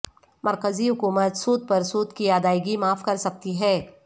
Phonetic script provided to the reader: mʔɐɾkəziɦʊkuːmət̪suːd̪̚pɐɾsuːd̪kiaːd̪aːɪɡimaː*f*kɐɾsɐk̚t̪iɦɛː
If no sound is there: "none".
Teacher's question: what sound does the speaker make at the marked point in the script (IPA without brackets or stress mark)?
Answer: f